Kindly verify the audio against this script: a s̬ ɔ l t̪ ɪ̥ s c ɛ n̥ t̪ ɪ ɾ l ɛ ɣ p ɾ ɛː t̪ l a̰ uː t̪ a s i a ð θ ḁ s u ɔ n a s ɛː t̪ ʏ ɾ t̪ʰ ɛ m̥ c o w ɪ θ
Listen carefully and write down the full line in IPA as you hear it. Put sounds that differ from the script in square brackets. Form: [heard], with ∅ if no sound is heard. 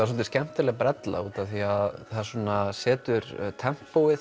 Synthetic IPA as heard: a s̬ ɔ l t̪ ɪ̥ s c ɛ [m̥] t̪ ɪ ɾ l ɛ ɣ p ɾ [ɛ] t̪ l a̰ uː t̪ a [θ] i a ð θ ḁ s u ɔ n a s ɛː t̪ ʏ ɾ t̪ʰ ɛ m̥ [p] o w ɪ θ